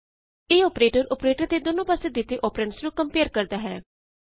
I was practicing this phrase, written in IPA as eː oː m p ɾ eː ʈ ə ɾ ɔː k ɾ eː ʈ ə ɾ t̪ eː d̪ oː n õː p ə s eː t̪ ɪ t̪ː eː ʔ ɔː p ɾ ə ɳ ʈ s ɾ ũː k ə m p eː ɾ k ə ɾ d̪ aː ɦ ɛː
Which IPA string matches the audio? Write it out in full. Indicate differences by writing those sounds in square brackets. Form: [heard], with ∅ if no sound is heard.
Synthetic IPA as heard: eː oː [∅] p ɾ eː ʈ ə ɾ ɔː [p] ɾ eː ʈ ə ɾ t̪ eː d̪ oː n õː p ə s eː [d̪] ɪ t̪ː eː ʔ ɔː p ɾ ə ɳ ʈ s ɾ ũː k ə m p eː ɾ k ə ɾ d̪ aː ɦ ɛː